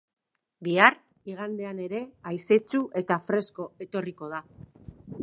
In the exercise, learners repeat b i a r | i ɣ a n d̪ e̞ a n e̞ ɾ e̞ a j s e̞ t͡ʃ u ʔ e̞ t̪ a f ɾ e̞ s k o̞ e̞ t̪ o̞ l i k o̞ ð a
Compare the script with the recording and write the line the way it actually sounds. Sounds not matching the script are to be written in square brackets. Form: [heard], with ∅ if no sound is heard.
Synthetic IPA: b i a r | i ɣ a n d̪ e̞ a n e̞ ɾ e̞ a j s e̞ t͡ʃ u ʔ e̞ t̪ a f ɾ e̞ s k o̞ e̞ t̪ o̞ [r] i k o̞ ð a